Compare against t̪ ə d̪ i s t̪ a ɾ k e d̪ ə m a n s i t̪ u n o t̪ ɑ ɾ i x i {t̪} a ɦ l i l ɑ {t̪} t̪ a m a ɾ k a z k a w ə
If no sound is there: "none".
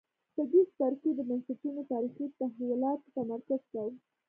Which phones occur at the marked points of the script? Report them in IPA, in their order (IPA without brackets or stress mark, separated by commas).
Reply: t̪, t̪